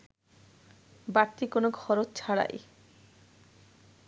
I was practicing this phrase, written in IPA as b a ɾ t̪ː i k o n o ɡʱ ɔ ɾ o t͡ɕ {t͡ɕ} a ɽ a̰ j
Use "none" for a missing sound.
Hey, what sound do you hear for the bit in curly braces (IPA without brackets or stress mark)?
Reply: t͡ɕʰ